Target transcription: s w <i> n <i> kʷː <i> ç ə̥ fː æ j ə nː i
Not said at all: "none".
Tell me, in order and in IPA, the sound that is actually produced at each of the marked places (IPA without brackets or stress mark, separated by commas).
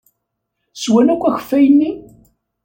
æ, æ, æ